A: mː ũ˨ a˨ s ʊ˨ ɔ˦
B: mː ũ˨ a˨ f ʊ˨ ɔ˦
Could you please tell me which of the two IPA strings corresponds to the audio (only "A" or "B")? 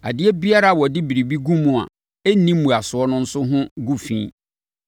A